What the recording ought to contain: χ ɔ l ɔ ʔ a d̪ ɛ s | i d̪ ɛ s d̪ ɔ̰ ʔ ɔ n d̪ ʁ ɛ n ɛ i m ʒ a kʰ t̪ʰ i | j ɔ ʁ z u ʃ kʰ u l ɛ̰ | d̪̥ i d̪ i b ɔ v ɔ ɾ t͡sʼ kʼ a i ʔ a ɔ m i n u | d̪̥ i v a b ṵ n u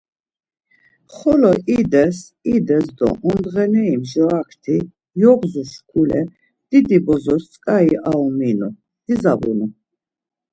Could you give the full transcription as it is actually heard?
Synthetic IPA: χ ɔ l ɔ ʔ i d̪ ɛ s | i d̪ ɛ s d̪ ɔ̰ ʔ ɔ n d̪ ʁ ɛ n ɛ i m ʒ a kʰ t̪ʰ i | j ɔ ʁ z u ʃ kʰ u l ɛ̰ | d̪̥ i d̪ i b ɔ z ɔ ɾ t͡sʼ kʼ a i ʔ a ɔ m i n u | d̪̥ i z a b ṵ n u